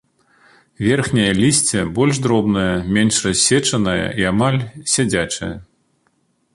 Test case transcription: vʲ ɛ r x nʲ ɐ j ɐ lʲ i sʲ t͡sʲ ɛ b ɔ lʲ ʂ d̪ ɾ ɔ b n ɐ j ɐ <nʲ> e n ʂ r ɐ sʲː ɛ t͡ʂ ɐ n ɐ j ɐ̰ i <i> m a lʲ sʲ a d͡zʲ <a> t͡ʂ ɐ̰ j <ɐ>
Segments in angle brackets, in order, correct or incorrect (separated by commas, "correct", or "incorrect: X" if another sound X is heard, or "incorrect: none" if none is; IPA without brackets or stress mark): incorrect: mʲ, incorrect: a, correct, correct